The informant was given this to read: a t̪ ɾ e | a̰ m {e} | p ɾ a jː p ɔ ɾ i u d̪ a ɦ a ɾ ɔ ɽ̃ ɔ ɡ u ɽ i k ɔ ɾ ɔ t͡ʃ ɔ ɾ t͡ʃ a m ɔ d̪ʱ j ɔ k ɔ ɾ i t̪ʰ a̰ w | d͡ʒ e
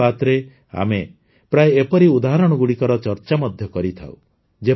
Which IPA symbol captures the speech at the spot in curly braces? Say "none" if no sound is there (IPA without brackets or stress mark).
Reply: e